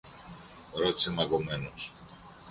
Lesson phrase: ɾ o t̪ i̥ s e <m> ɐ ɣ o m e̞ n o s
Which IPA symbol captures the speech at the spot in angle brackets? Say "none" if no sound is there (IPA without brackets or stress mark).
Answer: m